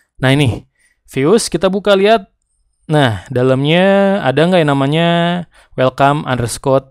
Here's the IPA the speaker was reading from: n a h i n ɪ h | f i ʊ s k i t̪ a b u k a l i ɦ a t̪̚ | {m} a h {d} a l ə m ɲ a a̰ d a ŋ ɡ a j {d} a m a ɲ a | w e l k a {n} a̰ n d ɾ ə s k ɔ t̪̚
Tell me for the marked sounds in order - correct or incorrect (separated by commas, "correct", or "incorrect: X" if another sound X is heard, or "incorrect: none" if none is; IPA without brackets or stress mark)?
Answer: incorrect: n, correct, incorrect: n, incorrect: m